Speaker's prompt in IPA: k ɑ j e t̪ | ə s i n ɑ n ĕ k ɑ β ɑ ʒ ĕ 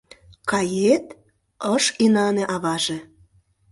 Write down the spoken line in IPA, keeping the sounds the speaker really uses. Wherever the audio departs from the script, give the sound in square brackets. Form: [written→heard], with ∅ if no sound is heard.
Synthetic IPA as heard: k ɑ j e t̪ | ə [s→ʃ] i n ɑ n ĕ [k→ʔ] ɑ β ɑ ʒ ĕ